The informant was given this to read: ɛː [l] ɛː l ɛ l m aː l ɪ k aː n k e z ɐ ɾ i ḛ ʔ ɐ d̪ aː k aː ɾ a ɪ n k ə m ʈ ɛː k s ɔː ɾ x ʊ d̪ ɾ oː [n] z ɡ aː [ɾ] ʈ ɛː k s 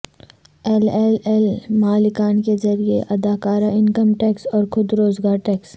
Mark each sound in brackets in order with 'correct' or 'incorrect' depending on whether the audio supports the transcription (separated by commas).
correct, incorrect, correct